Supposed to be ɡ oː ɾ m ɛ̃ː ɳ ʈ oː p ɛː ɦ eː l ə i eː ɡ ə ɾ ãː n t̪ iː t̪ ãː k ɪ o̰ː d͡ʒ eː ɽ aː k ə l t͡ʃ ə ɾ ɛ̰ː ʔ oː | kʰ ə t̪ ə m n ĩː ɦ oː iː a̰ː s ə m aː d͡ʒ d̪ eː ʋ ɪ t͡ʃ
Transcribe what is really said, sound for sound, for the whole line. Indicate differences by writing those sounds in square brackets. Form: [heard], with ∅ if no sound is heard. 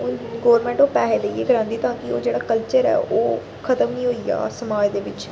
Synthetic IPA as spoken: ɡ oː ɾ m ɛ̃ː ɳ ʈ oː p ɛː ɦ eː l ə i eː ɡ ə ɾ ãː n [d̪] iː t̪ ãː k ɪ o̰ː d͡ʒ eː ɽ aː k ə l t͡ʃ ə ɾ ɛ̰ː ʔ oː | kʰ ə t̪ ə m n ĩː ɦ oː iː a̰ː s ə m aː d͡ʒ d̪ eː ʋ ɪ t͡ʃ